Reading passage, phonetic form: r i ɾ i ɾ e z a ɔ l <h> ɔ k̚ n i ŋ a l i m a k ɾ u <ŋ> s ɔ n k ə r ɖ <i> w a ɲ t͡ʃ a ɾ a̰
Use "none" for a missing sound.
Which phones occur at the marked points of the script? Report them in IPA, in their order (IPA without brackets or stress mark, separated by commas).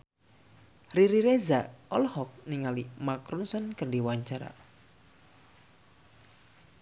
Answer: h, n, i